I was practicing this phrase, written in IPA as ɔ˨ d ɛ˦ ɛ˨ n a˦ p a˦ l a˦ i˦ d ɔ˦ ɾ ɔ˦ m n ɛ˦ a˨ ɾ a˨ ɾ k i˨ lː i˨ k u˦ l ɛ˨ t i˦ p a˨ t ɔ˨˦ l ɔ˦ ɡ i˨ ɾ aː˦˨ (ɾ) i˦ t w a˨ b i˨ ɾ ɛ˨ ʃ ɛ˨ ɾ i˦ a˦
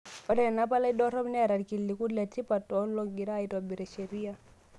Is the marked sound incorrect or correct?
incorrect